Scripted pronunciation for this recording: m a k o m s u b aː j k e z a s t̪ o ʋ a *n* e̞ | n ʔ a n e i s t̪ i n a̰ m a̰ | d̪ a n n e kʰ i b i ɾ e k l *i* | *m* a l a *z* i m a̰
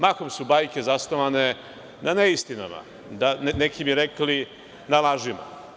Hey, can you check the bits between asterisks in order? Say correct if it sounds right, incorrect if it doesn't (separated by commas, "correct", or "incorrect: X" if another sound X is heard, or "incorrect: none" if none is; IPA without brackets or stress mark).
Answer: correct, correct, incorrect: n, incorrect: ʒ